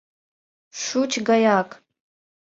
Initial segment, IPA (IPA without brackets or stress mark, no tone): ʂ